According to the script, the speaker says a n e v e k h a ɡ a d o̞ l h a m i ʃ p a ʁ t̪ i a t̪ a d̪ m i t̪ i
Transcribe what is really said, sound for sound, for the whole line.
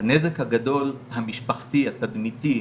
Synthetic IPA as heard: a n e z e k h a ɡ a d o̞ l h a m i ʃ p a χ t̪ i a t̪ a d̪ m i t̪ i